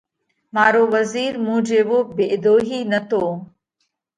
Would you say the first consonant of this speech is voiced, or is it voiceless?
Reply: voiced